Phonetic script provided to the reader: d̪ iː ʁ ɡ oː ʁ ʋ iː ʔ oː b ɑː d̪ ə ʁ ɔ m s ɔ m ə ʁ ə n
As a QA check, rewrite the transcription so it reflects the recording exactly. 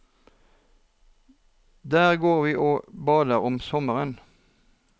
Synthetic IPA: d̪ æː ʁ ɡ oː ʁ ʋ iː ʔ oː b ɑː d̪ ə ʁ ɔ m s ɔ m ə ʁ ə n